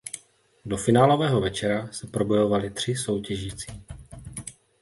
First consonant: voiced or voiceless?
voiced